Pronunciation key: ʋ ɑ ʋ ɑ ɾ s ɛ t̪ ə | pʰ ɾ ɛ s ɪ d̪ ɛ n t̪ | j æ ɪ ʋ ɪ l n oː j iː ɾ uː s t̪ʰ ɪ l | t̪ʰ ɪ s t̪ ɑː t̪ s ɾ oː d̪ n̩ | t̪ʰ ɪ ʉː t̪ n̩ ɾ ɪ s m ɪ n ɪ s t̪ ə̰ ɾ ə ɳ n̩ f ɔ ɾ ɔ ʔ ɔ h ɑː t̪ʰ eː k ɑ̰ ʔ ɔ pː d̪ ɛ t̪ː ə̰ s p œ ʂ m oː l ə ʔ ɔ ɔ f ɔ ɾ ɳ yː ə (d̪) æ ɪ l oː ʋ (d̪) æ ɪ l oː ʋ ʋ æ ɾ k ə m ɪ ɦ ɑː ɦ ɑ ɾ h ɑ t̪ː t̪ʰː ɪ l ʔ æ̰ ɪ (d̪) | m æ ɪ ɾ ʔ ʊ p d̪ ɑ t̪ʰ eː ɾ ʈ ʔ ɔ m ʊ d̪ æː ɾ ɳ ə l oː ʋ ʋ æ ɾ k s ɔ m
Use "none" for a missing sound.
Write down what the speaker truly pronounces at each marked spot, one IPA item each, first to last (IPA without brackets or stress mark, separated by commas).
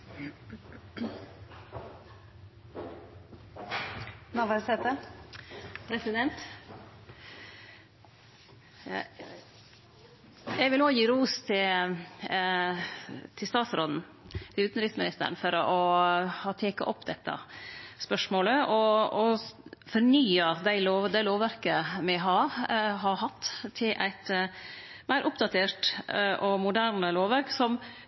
d̪, d̪, t̪